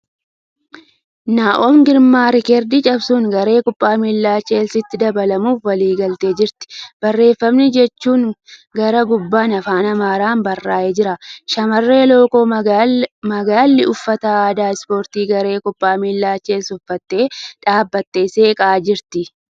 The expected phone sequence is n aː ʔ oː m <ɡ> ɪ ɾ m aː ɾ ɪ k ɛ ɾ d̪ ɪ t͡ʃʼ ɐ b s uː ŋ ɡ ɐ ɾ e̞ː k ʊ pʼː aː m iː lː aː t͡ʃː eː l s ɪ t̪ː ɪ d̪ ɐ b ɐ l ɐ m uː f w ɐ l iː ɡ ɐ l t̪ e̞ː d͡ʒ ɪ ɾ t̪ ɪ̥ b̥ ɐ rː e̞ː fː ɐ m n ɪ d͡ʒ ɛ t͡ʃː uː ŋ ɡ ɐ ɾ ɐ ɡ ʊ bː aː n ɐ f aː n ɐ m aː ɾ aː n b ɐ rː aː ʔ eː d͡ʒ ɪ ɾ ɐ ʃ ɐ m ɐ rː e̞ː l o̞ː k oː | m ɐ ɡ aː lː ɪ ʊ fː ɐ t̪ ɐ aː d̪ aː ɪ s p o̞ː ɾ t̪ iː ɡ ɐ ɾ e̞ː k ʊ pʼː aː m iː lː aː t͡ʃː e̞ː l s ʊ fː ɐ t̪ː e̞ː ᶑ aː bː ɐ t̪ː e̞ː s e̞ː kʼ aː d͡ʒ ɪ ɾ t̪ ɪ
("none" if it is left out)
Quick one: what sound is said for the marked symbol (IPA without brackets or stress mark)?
ɡ